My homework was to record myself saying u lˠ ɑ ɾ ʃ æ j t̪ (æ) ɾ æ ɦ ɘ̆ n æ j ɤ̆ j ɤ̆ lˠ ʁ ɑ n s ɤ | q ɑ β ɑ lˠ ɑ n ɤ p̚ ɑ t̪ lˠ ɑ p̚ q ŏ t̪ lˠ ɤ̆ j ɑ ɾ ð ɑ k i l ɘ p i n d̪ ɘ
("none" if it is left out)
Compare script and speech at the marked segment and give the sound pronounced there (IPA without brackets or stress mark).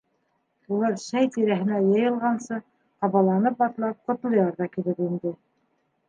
i